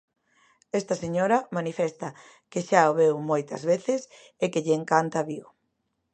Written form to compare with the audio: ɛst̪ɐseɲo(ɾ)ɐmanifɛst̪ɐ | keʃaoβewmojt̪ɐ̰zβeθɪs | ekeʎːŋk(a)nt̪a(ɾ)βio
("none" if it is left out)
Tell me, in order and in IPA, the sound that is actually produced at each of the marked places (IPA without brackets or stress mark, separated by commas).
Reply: ɾ, a, none